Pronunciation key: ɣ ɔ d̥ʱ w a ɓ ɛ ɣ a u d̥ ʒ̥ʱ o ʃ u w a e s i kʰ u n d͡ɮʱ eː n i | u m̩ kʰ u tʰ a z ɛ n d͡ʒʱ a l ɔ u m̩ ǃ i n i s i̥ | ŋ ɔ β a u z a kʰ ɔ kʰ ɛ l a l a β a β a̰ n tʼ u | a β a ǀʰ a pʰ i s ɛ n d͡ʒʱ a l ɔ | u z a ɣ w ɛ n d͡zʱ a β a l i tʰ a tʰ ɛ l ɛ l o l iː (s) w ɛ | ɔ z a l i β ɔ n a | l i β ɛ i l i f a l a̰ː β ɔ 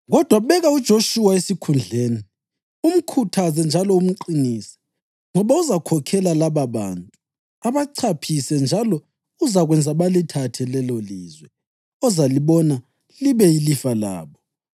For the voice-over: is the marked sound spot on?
no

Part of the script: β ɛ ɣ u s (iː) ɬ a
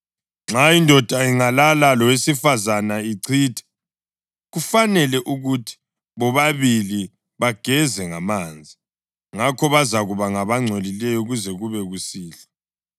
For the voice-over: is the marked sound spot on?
yes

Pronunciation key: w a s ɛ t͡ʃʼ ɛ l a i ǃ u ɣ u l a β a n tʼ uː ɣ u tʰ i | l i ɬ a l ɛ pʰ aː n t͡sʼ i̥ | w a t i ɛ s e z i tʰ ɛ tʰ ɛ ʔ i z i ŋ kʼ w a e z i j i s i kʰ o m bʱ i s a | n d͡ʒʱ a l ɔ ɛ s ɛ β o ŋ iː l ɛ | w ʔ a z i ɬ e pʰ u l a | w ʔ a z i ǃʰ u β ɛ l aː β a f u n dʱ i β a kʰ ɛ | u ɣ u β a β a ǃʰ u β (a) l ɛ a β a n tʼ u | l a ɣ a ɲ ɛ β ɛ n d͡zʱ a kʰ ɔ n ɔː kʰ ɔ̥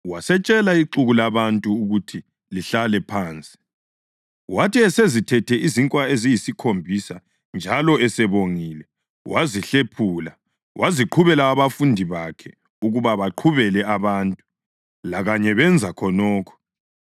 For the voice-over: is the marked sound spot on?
no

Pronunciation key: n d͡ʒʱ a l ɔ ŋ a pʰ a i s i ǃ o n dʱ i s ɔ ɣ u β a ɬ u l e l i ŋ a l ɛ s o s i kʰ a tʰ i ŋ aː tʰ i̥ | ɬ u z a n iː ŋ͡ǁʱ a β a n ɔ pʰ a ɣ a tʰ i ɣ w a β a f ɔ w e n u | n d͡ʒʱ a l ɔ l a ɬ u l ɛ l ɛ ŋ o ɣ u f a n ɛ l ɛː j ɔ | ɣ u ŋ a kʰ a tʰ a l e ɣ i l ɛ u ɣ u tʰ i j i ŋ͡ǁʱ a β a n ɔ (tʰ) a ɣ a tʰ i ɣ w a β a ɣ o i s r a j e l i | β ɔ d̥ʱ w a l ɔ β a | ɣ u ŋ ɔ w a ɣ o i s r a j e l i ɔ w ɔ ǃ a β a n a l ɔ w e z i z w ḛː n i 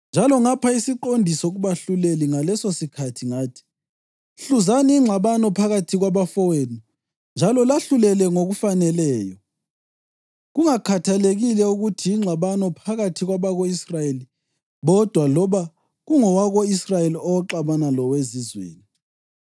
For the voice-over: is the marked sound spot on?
no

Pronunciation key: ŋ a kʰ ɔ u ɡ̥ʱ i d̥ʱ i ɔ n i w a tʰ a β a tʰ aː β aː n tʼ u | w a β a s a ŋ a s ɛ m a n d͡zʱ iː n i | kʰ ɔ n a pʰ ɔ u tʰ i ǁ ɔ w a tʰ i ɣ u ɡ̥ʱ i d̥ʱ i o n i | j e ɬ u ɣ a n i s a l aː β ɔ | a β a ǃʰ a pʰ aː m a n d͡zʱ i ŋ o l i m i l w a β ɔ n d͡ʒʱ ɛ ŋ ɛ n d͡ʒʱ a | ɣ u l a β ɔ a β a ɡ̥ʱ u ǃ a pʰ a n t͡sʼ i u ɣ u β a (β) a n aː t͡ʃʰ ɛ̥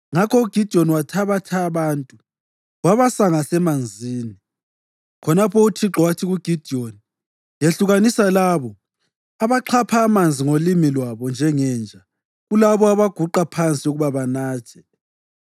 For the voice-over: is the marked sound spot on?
yes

